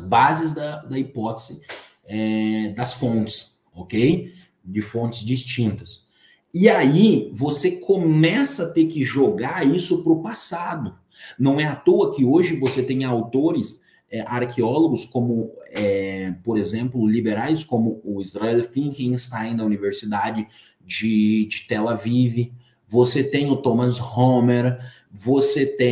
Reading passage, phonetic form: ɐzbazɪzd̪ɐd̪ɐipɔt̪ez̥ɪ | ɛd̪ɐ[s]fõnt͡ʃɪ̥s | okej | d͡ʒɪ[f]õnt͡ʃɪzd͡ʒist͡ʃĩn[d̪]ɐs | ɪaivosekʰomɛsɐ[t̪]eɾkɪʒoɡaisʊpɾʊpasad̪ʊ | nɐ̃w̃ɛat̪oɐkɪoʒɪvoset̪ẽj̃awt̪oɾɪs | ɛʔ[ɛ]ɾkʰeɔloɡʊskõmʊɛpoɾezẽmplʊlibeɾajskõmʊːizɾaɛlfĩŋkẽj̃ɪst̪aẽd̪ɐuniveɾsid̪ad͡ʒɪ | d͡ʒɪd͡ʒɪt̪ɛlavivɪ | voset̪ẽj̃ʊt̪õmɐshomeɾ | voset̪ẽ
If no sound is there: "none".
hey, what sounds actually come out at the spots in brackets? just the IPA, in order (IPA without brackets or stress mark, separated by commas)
s, f, t̪, t̪, a